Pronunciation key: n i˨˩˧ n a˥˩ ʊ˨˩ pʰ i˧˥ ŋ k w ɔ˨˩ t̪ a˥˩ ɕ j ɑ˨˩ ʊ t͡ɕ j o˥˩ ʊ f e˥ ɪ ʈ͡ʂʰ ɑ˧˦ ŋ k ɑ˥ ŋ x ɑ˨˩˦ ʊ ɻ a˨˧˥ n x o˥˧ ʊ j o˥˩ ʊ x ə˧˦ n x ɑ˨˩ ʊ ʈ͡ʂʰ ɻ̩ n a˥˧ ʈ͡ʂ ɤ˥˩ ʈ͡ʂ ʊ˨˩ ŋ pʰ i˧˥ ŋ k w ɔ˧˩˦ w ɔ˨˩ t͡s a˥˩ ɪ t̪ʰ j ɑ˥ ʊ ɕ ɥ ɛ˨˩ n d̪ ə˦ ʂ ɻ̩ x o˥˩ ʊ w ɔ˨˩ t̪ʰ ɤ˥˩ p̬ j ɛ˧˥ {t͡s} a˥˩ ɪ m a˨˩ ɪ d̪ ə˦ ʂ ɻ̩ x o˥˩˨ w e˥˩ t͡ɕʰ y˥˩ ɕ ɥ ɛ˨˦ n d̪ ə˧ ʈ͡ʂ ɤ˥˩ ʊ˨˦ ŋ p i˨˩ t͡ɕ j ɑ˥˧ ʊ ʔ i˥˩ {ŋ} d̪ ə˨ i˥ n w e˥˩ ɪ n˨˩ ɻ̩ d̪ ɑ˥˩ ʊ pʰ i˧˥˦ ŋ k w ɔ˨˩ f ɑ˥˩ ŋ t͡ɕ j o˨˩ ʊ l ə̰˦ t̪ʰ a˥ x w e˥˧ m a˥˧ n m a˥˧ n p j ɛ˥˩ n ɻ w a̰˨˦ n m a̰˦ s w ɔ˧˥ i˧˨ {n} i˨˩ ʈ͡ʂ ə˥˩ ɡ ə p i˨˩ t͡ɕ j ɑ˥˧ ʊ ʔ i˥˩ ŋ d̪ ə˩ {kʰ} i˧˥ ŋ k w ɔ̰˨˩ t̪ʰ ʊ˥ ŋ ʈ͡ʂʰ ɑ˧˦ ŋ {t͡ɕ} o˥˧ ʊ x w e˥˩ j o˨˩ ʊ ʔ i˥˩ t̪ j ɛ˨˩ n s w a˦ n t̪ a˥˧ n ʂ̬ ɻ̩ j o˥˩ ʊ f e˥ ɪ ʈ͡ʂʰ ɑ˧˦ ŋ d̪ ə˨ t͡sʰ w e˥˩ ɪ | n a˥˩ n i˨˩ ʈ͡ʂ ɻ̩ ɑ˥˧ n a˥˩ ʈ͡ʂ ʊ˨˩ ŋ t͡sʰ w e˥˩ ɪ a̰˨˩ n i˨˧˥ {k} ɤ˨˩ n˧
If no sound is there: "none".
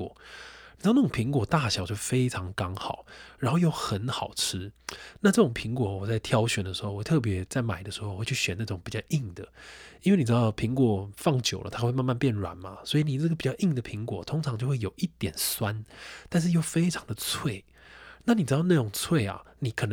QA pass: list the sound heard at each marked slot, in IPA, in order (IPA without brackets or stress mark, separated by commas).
t͡s, ŋ, n, pʰ, t͡ɕ, kʰ